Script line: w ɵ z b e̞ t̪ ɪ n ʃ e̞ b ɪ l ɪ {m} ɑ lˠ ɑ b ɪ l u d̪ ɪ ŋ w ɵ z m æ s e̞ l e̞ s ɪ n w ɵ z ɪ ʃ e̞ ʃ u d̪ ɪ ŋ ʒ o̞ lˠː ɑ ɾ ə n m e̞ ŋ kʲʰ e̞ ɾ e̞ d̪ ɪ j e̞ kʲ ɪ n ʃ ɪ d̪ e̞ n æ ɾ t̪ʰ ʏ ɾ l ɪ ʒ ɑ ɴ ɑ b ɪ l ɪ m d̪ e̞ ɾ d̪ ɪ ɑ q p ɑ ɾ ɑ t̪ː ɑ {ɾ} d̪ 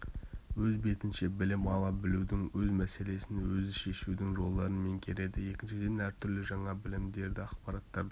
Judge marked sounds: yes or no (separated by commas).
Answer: yes, yes